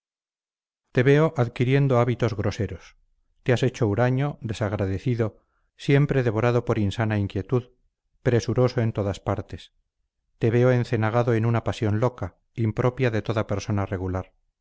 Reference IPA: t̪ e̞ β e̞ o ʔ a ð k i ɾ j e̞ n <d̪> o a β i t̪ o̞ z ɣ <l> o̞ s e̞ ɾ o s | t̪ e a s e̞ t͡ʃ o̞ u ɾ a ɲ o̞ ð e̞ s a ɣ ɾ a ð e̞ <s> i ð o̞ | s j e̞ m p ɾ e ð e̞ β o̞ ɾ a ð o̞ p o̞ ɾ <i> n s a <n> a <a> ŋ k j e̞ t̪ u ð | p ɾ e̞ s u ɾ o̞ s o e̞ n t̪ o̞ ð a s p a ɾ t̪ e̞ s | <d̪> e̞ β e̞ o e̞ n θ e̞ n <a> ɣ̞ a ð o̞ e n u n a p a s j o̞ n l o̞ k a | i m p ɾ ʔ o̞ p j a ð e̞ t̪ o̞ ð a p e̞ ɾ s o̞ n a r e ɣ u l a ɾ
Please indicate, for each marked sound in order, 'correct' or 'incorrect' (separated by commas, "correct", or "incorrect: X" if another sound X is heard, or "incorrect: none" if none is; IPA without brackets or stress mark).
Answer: correct, incorrect: ɾ, incorrect: θ, correct, correct, incorrect: i, incorrect: t̪, correct